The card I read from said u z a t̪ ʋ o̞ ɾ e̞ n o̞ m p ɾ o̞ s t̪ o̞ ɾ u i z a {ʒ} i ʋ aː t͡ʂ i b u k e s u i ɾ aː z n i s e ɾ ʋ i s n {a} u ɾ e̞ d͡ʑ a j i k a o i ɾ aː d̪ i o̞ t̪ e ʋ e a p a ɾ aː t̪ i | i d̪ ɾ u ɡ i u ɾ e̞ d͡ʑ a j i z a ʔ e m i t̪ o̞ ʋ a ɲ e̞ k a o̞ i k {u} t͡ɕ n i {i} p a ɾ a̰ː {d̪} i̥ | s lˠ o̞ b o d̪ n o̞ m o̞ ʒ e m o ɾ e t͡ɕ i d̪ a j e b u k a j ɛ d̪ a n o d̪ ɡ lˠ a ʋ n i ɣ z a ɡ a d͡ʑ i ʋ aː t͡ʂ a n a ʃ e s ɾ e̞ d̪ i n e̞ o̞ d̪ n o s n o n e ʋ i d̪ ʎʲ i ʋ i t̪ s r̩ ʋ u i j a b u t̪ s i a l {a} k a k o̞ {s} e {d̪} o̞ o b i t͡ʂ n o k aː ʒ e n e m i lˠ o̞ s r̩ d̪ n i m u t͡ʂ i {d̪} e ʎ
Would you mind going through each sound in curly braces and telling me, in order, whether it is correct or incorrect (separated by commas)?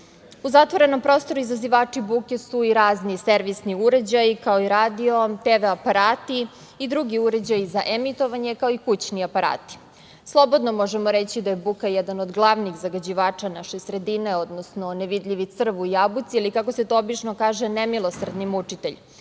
incorrect, incorrect, correct, incorrect, incorrect, incorrect, correct, incorrect, incorrect